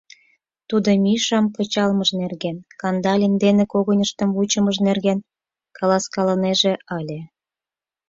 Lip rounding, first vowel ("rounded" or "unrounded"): rounded